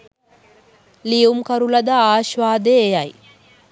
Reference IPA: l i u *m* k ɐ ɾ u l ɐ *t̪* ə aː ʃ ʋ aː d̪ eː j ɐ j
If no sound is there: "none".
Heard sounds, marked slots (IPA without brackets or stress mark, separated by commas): m, d̪